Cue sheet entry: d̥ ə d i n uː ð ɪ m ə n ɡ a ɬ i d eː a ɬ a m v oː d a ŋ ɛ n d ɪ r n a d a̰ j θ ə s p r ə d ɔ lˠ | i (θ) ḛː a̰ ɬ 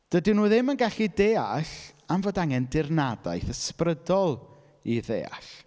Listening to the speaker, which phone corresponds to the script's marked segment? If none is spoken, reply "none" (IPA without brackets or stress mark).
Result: ð